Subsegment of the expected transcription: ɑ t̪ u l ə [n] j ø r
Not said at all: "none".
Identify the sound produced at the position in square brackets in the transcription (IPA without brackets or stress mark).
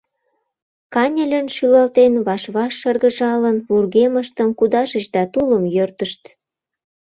m